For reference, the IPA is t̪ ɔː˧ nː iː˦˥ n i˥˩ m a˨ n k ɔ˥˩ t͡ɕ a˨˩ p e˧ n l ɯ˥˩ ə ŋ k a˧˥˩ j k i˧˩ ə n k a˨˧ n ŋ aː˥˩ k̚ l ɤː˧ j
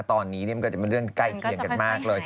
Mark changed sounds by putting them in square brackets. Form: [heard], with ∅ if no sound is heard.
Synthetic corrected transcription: t̪ ɔː˧ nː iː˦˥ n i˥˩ m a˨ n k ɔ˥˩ t͡ɕ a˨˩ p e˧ n [ɾ] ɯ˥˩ ə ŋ k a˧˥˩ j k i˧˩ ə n k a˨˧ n [m] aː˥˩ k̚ l ɤː˧ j